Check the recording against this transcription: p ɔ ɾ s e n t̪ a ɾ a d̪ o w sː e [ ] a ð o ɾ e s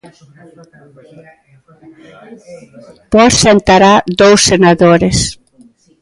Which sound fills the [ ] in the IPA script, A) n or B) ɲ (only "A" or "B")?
A